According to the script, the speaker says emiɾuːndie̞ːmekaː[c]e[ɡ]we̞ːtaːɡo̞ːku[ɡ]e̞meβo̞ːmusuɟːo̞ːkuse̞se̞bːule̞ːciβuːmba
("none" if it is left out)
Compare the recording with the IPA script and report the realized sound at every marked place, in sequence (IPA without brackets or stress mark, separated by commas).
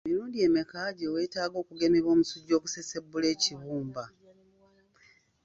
ɟ, none, ɡ